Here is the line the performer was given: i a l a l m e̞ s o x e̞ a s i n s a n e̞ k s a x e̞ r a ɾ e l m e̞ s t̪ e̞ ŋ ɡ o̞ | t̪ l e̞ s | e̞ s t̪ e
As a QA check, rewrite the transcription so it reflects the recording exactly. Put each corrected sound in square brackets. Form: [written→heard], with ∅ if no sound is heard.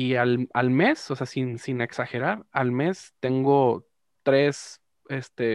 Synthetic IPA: i a l a l m e̞ s o [x→s] e̞ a s i n s [a→i] n e̞ k s a x e̞ [r→ɾ] a ɾ [e→a] l m e̞ s t̪ e̞ ŋ ɡ o̞ | t̪ [l→ɾ] e̞ s | e̞ s t̪ e